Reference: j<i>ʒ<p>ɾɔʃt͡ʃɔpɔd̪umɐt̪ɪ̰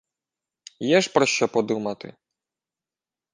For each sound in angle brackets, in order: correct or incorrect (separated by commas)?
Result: incorrect, correct